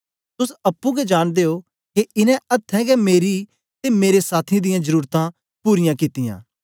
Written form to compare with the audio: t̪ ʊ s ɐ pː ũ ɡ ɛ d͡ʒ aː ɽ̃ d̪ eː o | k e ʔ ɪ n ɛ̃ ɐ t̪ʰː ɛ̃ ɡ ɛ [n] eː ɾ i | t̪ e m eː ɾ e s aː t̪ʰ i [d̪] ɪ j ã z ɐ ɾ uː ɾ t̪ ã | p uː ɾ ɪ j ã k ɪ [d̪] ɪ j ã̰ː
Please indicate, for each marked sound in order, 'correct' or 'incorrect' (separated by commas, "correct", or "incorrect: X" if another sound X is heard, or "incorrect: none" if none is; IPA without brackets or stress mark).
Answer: incorrect: m, correct, incorrect: t̪